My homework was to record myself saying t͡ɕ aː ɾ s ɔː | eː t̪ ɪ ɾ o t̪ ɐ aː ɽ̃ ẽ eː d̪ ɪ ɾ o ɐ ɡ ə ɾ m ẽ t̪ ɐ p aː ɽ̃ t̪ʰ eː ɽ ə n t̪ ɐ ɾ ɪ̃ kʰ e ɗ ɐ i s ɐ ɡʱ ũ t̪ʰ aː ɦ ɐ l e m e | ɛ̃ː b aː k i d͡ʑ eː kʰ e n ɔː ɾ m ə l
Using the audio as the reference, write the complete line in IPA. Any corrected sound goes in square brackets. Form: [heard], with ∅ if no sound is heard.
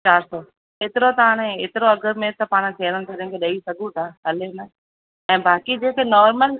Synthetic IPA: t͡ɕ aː ɾ s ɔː | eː t̪ ɪ ɾ o t̪ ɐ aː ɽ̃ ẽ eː [t̪] ɪ ɾ o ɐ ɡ ə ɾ m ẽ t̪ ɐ p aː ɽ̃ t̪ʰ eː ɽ ə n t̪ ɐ ɾ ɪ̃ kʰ e ɗ ɐ i s ɐ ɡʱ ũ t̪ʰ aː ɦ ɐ l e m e | ɛ̃ː b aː k i d͡ʑ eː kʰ e n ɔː ɾ m ə l